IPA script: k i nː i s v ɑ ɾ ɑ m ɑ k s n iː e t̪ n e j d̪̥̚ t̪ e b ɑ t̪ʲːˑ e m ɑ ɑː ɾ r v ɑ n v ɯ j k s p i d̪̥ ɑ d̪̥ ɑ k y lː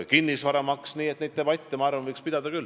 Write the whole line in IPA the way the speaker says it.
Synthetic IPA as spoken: k i nː i s v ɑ ɾ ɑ m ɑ k s n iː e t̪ n e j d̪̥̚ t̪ e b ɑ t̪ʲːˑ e m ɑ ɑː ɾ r v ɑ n v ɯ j k s p i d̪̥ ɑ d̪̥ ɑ k y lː